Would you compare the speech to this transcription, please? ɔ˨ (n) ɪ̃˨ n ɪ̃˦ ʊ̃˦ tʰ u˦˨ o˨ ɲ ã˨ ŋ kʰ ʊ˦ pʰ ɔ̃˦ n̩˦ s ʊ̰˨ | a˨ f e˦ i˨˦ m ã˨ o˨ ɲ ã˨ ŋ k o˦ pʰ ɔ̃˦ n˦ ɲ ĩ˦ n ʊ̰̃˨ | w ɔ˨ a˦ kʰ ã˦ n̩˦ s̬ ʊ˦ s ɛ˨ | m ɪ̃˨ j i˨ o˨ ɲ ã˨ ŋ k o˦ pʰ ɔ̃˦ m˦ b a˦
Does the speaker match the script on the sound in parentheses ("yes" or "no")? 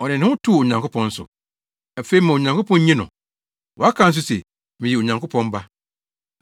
yes